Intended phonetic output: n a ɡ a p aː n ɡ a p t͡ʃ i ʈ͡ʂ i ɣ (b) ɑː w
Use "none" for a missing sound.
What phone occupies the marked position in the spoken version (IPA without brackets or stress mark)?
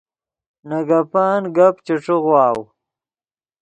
w